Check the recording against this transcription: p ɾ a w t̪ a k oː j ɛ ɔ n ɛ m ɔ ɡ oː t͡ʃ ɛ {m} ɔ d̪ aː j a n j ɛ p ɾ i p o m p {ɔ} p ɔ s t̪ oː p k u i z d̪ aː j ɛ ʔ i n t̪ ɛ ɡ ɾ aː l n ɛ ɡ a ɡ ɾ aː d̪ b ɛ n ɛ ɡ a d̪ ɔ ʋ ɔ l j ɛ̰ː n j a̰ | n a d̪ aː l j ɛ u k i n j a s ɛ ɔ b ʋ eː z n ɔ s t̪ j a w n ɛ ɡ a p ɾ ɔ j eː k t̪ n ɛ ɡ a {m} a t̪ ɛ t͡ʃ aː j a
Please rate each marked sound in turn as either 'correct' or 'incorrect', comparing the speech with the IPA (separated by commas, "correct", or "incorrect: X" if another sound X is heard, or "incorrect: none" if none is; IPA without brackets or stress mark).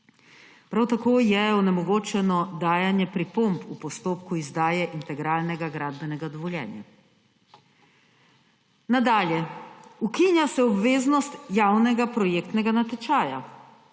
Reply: incorrect: n, incorrect: u, incorrect: n